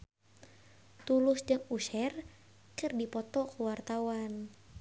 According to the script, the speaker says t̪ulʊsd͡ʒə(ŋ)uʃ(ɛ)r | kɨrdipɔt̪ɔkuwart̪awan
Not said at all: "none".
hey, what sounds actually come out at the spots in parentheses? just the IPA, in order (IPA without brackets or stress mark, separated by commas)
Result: ŋ, ɛ